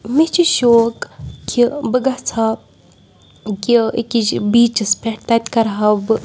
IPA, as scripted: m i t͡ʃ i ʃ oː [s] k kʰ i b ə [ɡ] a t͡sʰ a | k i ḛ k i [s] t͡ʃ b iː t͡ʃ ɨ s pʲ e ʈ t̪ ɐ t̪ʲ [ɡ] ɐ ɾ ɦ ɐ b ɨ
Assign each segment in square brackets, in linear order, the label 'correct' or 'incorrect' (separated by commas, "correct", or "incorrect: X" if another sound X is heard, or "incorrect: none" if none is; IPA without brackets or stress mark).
incorrect: none, correct, incorrect: none, incorrect: k